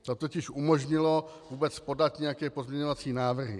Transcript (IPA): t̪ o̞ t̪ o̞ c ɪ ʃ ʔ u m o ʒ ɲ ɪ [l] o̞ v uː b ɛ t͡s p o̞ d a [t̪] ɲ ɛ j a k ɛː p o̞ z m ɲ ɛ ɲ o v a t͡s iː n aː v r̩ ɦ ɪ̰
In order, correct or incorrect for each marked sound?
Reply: correct, correct

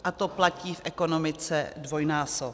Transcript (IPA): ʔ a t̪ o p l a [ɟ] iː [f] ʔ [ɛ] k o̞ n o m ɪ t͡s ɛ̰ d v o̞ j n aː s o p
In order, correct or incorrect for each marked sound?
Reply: incorrect, correct, correct

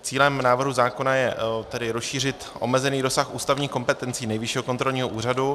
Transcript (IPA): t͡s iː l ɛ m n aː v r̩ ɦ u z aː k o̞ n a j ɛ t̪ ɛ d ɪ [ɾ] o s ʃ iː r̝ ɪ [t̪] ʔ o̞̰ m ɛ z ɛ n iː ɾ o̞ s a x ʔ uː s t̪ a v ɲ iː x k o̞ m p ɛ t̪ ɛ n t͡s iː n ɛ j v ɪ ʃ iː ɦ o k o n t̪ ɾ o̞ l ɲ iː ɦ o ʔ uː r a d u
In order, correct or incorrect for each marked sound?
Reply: correct, correct

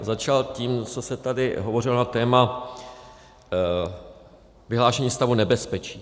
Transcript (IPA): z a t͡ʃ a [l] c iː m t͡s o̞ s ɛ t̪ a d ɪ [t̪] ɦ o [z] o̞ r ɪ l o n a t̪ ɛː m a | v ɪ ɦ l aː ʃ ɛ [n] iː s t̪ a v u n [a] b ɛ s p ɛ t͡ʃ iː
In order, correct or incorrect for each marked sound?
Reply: correct, incorrect, incorrect, incorrect, incorrect

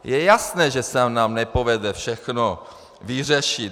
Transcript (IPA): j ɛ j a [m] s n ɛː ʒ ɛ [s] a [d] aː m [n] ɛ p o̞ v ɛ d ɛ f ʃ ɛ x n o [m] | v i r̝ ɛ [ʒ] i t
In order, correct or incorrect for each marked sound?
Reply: incorrect, correct, incorrect, correct, incorrect, incorrect

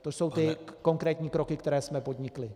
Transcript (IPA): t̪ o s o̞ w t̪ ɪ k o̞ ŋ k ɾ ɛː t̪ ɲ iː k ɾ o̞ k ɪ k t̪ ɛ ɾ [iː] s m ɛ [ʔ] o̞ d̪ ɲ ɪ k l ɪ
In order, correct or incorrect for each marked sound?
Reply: incorrect, incorrect

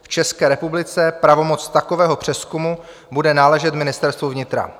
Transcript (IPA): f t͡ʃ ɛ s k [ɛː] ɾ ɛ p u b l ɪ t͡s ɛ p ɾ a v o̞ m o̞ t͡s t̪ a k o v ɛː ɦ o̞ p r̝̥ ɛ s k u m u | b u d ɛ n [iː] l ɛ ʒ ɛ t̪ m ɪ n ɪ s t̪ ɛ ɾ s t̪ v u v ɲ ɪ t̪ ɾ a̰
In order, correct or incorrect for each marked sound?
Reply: correct, incorrect

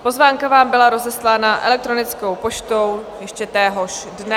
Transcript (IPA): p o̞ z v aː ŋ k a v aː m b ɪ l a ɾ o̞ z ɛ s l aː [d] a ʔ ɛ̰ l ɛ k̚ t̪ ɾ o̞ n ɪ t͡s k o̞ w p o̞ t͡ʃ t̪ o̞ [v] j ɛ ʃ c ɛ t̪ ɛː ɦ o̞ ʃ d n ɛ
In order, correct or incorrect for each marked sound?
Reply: incorrect, incorrect

